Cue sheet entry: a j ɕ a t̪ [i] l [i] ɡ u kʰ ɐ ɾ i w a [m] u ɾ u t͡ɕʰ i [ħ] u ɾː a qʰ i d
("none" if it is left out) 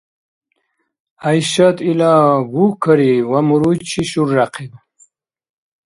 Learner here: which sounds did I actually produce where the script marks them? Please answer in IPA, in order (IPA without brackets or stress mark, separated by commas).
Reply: i, a, m, ɕ